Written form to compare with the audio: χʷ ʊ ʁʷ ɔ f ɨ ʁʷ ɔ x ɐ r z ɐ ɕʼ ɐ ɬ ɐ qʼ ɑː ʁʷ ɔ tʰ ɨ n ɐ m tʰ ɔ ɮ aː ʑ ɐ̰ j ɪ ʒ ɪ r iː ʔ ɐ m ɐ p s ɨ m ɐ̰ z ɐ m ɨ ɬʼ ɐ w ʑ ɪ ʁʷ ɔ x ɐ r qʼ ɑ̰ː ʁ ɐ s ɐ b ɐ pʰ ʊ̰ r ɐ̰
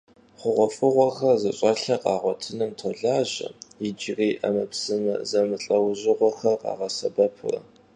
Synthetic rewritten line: χʷ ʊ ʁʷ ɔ f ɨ ʁʷ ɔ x ɐ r z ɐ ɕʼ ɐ ɬ ɐ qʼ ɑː ʁʷ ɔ tʰ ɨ n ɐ m tʰ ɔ ɮ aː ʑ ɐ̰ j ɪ d͡ʒ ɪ r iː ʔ ɐ m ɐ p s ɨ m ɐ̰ z ɐ m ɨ ɬʼ ɐ w ʑ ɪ ʁʷ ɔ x ɐ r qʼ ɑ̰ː ʁ ɐ s ɐ b ɐ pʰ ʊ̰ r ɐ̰